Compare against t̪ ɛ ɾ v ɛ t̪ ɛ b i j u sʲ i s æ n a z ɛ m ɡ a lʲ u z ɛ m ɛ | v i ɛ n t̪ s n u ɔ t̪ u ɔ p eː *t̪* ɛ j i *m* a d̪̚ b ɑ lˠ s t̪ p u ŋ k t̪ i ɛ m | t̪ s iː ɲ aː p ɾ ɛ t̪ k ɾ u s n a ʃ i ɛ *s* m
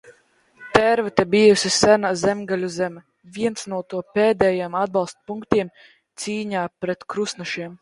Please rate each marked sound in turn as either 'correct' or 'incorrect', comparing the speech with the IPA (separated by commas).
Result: incorrect, correct, incorrect